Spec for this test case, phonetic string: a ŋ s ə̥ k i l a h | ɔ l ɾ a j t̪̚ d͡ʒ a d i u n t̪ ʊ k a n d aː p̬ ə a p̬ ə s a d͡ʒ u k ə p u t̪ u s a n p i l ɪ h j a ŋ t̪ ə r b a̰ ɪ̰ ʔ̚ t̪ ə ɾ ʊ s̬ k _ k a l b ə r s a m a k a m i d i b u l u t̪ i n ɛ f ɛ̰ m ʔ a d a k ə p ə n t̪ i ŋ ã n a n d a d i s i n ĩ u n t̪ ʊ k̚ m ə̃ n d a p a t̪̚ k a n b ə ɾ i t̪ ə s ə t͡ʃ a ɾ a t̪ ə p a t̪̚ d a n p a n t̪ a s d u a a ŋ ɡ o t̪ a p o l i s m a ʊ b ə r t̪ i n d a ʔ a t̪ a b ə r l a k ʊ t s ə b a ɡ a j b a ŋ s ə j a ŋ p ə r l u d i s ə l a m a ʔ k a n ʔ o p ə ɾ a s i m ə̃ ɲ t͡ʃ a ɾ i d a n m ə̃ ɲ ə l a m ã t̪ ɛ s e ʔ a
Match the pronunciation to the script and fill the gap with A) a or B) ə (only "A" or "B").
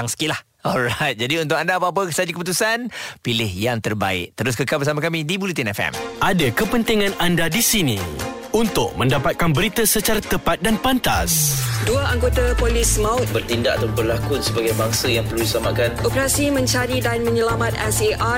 B